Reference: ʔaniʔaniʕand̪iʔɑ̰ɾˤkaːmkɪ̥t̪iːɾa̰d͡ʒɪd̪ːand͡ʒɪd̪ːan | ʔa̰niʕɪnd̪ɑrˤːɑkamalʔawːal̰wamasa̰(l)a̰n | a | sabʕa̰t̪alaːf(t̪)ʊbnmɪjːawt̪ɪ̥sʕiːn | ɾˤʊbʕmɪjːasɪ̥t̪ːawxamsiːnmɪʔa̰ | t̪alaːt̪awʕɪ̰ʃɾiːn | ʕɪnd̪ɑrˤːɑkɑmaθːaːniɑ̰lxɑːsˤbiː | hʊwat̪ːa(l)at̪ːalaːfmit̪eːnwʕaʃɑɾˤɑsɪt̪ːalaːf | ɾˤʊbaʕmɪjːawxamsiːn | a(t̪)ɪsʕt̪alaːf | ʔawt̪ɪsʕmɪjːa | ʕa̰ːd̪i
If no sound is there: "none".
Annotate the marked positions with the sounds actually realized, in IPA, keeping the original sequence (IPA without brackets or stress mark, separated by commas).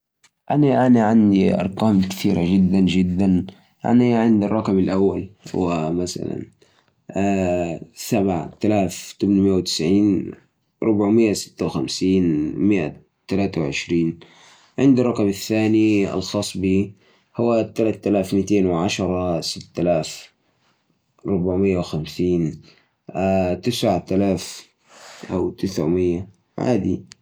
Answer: l, t̪, l, t̪